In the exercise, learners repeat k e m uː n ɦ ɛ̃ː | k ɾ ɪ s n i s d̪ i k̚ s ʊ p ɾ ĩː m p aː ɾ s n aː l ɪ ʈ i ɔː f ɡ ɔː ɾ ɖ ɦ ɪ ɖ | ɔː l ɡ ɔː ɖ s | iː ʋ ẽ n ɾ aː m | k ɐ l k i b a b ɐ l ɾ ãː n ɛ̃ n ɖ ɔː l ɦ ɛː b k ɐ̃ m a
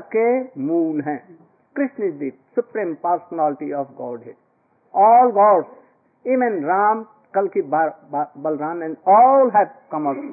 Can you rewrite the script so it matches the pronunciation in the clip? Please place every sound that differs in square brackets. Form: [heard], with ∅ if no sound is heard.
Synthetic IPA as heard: k e m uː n ɦ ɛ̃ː | k ɾ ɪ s n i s d̪ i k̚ s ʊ p ɾ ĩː m p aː ɾ s n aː l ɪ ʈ i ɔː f ɡ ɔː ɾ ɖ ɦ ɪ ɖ | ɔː l ɡ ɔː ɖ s | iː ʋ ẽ n ɾ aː m | k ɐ l k i b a b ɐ l ɾ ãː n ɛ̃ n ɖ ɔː l ɦ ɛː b k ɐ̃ m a